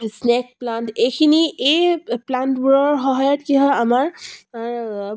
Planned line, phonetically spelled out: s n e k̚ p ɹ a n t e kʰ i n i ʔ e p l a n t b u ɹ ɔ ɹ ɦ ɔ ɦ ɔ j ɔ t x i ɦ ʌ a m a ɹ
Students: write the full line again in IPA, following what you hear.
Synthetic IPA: s n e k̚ p l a n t e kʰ i n i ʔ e p l a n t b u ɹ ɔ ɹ ɦ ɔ ɦ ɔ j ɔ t k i ɦ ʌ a m a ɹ